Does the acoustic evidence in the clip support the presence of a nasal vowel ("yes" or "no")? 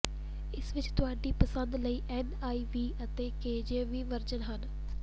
no